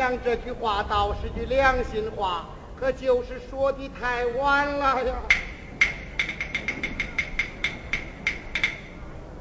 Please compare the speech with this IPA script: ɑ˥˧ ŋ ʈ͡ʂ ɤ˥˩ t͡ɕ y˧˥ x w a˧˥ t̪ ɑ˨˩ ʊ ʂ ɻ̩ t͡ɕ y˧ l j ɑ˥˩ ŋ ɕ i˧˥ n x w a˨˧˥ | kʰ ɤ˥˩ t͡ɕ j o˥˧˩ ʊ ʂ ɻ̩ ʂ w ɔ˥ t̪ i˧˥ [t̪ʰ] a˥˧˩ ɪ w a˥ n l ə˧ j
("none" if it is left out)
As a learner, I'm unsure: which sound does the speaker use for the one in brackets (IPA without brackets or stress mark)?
t̪ʰ